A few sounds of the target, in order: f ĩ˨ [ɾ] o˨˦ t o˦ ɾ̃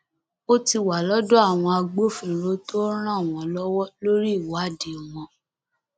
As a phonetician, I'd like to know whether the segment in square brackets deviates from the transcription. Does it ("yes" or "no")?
no